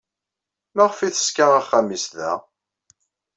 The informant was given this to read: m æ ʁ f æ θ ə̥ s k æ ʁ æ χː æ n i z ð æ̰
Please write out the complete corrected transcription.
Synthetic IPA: m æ ʁ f i θ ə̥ s k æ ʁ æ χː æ m i s ð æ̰